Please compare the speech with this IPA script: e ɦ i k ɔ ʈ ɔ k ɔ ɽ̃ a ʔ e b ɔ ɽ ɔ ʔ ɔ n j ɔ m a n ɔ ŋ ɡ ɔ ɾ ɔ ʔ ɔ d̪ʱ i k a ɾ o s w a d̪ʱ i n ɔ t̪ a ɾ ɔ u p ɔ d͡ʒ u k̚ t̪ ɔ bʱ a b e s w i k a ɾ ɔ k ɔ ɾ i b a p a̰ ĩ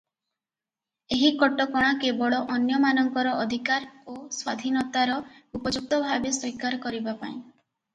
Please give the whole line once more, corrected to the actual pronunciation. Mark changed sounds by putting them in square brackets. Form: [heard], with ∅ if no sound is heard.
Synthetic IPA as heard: e ɦ i k ɔ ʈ ɔ k ɔ ɽ̃ a [k] e b ɔ [ɭ] ɔ ʔ ɔ n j ɔ m a n ɔ ŋ [k] ɔ ɾ ɔ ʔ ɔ d̪ʱ i k a ɾ o s w a d̪ʱ i n ɔ t̪ a ɾ ɔ u p ɔ d͡ʒ u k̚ t̪ ɔ bʱ a b e s w i k a ɾ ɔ k ɔ ɾ i b a p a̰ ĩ

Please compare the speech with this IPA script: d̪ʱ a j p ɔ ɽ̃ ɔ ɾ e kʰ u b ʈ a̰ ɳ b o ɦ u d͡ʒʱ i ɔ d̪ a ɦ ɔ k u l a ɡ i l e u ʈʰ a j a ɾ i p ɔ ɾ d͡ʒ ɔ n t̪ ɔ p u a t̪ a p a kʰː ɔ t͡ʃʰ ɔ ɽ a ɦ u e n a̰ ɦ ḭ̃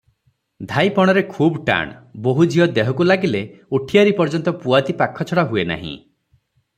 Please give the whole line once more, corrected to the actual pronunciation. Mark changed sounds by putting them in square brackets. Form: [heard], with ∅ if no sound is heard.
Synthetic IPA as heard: d̪ʱ a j p ɔ ɽ̃ ɔ ɾ e kʰ u b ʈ a̰ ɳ b o ɦ u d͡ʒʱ i ɔ d̪ [e] ɦ ɔ k u l a ɡ i l e u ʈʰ [i] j a ɾ i p ɔ ɾ d͡ʒ ɔ n t̪ ɔ p u a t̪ [i] p a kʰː ɔ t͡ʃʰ ɔ ɽ a ɦ u e n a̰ ɦ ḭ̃

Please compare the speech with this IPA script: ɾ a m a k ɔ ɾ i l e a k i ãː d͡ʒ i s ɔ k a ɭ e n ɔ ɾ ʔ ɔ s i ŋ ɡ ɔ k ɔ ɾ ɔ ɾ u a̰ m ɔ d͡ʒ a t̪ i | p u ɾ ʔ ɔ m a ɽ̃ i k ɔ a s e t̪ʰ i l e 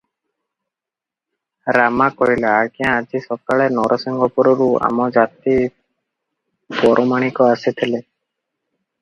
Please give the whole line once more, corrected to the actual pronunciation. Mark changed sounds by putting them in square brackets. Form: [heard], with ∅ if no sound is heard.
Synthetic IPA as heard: ɾ a m a k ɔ ɾ i l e a k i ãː d͡ʒ i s ɔ k a ɭ e n ɔ ɾ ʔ ɔ s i ŋ ɡ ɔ [p] ɔ ɾ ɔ ɾ u a̰ m ɔ d͡ʒ a t̪ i | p [ɔ] ɾ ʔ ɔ m a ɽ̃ i k ɔ a s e t̪ʰ i l e

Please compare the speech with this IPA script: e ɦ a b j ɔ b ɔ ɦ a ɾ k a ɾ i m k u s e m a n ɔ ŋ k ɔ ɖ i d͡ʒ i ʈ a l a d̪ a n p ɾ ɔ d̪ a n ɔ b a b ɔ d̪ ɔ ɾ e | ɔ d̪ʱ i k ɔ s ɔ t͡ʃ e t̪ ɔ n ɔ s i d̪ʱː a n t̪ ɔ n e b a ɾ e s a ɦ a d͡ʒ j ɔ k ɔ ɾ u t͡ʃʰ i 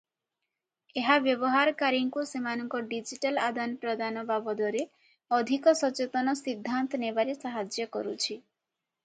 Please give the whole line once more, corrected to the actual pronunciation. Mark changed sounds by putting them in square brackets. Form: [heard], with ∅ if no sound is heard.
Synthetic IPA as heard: e ɦ a b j ɔ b ɔ ɦ a ɾ k a ɾ i [ŋ] k u s e m a n ɔ ŋ k ɔ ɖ i d͡ʒ i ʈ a l a d̪ a n p ɾ ɔ d̪ a n ɔ b a b ɔ d̪ ɔ ɾ e | ɔ d̪ʱ i k ɔ s ɔ t͡ʃ e t̪ ɔ n ɔ s i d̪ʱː a n t̪ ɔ n e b a ɾ e s a ɦ a d͡ʒ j ɔ k ɔ ɾ u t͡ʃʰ i

